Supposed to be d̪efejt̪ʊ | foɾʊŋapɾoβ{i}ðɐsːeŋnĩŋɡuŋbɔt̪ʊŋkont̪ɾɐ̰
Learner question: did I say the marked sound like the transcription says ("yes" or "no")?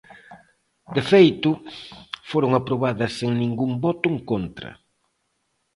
no